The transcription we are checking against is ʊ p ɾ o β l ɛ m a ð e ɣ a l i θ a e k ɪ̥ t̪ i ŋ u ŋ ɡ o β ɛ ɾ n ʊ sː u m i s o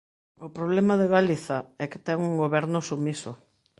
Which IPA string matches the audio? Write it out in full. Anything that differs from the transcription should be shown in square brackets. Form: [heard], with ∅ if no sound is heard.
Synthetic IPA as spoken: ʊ p ɾ o β l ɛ m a ð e ɣ a l i θ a [ɛ] k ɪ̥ t̪ [ɛ] ŋ u ŋ ɡ o β ɛ ɾ n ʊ [s] u m i s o